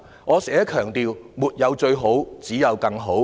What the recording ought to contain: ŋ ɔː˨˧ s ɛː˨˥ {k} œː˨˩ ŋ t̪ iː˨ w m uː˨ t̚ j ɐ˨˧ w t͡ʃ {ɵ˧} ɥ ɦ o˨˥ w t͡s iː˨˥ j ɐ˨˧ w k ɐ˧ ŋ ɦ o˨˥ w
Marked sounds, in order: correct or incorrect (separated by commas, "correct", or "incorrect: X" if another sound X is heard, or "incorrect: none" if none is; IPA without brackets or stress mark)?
incorrect: kʰ, correct